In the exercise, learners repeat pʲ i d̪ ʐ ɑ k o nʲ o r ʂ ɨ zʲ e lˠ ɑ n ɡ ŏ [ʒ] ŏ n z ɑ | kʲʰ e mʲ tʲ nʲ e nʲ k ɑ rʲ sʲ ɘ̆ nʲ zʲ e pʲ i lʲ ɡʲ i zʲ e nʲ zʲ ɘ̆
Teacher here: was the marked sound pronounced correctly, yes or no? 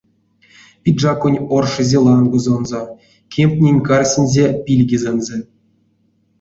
no